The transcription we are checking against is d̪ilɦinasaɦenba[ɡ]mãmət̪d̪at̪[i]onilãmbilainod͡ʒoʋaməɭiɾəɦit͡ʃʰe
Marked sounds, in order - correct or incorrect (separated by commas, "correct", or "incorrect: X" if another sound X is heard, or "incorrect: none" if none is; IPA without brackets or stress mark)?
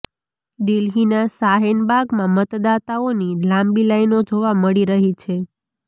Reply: correct, incorrect: a